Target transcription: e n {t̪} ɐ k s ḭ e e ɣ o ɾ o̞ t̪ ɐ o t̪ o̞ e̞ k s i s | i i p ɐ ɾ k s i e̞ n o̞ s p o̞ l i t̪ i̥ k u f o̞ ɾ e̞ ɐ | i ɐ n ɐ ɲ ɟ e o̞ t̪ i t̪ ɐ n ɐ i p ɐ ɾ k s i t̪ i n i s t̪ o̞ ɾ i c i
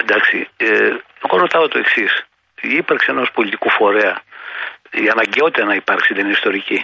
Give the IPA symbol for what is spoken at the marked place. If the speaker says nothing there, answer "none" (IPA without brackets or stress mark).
d̪